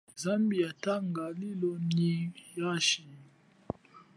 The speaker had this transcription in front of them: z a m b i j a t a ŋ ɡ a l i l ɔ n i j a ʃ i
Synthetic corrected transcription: z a m b i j a t a ŋ ɡ a l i l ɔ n i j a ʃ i